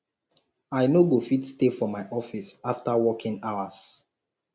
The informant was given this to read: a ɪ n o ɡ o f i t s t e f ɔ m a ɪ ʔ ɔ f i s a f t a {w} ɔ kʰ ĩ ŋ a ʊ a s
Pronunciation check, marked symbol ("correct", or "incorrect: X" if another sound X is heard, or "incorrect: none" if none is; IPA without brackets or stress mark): correct